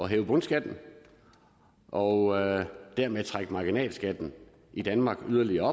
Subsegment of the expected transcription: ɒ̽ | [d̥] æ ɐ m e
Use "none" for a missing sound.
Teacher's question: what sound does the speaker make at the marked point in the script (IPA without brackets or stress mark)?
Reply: d̥